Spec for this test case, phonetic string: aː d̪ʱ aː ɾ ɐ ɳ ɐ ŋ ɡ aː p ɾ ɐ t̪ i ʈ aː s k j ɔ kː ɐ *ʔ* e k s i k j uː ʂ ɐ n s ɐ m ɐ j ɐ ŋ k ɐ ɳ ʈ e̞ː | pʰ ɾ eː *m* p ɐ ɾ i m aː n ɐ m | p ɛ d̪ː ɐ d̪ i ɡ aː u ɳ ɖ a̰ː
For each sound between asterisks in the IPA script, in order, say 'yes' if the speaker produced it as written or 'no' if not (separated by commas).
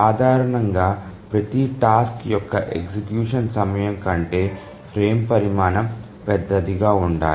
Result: yes, yes